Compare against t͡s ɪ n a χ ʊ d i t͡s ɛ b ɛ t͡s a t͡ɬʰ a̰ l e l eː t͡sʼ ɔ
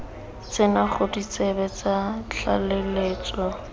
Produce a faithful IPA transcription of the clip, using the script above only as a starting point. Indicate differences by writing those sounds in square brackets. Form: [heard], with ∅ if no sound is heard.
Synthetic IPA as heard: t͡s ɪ n a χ ʊ d i t͡s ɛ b ɛ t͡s a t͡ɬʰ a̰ l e l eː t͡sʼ ɔ